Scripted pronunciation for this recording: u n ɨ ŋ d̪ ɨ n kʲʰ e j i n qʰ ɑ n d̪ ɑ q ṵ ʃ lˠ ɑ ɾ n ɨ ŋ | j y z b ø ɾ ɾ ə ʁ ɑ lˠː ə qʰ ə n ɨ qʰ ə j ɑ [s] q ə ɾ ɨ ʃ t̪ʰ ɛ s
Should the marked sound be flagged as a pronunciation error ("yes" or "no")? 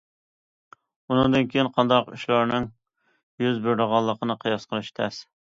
no